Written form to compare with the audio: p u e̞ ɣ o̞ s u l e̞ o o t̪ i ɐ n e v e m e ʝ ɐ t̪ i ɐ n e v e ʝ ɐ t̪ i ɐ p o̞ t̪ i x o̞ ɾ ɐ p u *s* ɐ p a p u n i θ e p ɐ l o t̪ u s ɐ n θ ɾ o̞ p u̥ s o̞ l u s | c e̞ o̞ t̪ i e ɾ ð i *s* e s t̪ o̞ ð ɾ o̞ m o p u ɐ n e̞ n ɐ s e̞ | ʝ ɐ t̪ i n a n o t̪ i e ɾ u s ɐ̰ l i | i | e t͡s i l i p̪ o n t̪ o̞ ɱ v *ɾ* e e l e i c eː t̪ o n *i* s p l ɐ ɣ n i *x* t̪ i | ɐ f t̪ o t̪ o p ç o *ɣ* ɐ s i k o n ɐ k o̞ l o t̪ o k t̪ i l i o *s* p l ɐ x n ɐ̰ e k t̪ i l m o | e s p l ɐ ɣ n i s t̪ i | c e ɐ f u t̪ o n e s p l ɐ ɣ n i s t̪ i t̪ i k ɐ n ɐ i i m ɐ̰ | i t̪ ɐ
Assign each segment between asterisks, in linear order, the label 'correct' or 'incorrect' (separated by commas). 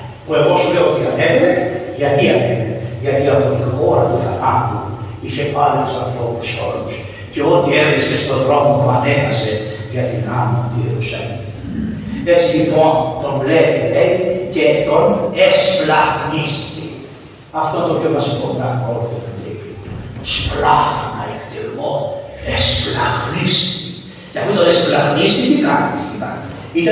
incorrect, correct, incorrect, incorrect, incorrect, incorrect, correct